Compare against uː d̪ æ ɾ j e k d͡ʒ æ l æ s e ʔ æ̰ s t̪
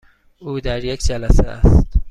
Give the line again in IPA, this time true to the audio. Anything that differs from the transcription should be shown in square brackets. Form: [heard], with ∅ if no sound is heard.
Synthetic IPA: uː d̪ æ ɾ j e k d͡ʒ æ l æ s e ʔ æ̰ s t̪